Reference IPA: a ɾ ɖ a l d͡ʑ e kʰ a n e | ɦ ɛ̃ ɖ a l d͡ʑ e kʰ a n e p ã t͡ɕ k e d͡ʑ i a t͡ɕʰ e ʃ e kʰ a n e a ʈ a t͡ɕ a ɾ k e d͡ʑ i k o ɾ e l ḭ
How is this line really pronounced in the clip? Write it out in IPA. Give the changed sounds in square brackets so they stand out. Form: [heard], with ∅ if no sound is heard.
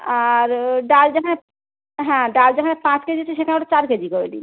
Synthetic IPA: a ɾ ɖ a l d͡ʑ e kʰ a n e | ɦ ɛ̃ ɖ a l d͡ʑ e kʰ a n e p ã t͡ɕ k e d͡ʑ i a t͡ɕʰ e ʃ e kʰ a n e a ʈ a t͡ɕ a ɾ k e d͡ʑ i k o ɾ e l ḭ